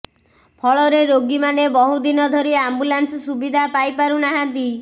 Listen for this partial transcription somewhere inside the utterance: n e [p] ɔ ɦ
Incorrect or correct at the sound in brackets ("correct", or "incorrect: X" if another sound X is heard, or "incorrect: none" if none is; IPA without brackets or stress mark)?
incorrect: b